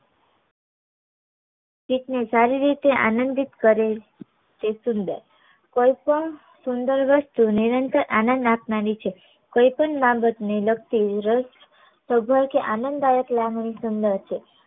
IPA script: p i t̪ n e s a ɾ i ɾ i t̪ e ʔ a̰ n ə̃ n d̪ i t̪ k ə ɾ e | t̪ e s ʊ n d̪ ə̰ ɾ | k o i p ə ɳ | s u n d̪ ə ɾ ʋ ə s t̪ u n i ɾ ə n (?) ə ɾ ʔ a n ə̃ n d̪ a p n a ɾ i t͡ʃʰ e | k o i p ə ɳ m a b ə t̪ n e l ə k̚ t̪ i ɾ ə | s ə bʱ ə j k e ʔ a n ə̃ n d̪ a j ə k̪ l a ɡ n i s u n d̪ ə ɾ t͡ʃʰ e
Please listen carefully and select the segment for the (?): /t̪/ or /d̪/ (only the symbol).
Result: t̪